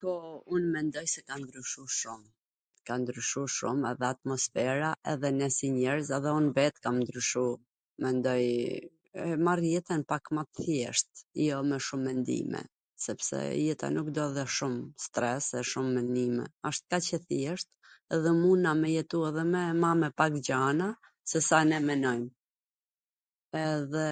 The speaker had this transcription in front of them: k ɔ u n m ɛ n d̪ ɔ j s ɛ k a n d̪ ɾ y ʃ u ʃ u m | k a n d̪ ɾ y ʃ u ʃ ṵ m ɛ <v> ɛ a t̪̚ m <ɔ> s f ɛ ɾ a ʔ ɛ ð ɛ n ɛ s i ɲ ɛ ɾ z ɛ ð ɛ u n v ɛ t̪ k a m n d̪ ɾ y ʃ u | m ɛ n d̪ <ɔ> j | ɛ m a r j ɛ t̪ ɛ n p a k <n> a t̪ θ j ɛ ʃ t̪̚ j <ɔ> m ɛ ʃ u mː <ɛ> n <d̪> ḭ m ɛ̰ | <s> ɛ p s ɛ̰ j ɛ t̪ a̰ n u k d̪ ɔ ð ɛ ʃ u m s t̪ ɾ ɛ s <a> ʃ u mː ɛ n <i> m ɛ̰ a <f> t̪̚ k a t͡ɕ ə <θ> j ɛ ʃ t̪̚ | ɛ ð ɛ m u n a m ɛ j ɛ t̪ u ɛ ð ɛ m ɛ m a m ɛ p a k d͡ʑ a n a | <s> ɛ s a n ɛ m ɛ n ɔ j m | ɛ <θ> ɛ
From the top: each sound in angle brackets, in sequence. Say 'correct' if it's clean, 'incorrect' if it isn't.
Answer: incorrect: ð, correct, correct, incorrect: m, correct, correct, correct, correct, incorrect: ɛ, correct, incorrect: ʃ, correct, correct, incorrect: ð

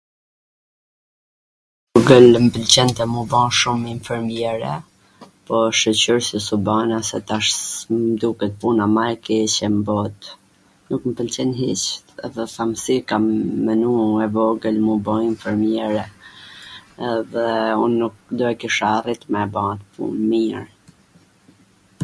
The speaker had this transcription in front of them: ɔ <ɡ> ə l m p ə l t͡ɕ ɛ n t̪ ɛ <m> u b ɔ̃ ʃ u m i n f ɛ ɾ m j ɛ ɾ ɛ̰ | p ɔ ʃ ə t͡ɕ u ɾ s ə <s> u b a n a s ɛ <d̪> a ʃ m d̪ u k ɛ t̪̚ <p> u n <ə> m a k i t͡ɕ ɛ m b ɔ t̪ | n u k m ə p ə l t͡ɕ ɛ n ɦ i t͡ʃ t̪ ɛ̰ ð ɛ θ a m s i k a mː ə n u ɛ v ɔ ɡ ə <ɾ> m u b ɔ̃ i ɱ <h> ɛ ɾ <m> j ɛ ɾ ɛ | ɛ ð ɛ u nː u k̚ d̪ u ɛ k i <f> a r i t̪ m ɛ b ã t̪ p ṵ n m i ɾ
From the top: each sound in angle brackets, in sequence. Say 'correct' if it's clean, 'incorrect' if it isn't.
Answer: correct, correct, correct, incorrect: t̪, correct, incorrect: a, incorrect: l, incorrect: f, correct, incorrect: ʃ

